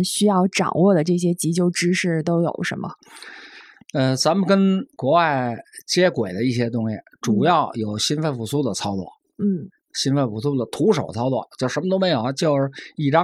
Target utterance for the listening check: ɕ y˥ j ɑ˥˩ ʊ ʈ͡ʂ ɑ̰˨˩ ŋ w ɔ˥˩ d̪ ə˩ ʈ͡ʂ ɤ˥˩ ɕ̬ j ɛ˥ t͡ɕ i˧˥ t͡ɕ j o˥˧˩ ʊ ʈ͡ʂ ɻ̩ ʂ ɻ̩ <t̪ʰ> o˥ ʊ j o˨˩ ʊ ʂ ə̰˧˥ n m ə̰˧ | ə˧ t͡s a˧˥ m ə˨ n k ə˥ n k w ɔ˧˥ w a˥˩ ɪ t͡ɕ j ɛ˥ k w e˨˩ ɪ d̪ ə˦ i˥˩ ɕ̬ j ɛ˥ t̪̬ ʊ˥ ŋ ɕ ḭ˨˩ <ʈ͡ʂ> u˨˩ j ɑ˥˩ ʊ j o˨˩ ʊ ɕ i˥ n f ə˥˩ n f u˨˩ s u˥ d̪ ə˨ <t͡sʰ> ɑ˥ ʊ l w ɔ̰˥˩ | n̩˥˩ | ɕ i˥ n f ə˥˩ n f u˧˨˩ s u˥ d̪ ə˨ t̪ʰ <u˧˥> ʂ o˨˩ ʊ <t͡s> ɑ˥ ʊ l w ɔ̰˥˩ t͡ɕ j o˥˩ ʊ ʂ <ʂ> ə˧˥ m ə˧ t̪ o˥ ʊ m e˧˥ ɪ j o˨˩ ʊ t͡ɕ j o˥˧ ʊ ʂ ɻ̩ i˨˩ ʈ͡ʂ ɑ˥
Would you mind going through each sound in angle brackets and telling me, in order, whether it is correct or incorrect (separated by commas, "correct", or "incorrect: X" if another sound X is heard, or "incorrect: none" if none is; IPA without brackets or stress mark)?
incorrect: t̪, correct, correct, correct, incorrect: t͡sʰ, correct